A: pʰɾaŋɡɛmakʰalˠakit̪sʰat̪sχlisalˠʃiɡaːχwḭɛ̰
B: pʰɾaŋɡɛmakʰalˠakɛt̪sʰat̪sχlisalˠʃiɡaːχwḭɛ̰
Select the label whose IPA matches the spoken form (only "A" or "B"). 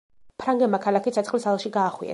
A